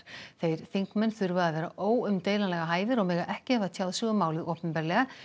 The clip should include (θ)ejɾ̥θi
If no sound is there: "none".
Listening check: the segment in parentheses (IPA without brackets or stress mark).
θ